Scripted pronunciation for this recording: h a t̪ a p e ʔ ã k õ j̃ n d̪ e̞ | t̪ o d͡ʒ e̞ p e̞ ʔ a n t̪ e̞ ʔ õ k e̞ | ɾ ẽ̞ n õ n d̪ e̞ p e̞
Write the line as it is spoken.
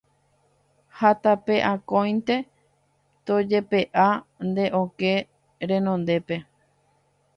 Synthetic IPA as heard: h a t̪ a p e ʔ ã k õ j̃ n t̪ e̞ | t̪ o d͡ʒ e̞ p e̞ ʔ a n d̪ e̞ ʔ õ k e̞ | ɾ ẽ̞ n õ n d̪ e̞ p e̞